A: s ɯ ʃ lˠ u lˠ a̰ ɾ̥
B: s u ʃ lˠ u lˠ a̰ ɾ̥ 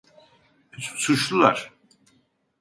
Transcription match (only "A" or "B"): B